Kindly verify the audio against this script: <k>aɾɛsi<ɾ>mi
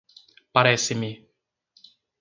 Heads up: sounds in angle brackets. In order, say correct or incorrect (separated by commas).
incorrect, incorrect